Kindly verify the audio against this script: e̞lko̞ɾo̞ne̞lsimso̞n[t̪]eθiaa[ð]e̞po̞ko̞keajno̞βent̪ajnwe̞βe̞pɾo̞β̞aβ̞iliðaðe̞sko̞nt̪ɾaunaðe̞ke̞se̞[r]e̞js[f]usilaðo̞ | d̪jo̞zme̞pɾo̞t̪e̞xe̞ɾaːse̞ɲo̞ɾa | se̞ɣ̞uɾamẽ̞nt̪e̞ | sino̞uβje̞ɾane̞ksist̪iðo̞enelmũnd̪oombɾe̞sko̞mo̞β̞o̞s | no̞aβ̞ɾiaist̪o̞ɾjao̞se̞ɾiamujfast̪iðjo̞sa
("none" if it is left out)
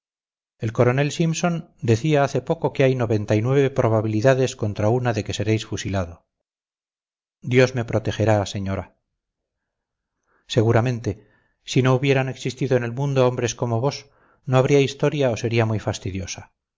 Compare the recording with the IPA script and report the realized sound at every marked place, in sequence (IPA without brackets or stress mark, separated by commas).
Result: d̪, θ, ɾ, f